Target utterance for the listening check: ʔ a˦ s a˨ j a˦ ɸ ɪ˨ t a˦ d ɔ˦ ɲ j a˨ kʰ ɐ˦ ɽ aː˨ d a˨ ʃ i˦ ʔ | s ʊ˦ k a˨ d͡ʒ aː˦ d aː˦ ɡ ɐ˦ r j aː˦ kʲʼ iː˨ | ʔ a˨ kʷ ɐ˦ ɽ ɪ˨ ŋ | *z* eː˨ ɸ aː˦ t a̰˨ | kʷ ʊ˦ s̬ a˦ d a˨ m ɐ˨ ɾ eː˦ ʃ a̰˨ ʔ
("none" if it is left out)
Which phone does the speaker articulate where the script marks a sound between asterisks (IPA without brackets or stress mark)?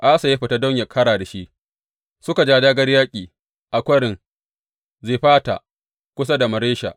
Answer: z